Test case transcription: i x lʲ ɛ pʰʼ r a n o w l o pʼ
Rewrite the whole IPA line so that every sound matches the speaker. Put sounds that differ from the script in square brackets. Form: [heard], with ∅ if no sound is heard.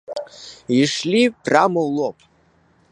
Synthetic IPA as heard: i [ʂ] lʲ [i] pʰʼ r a [m] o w l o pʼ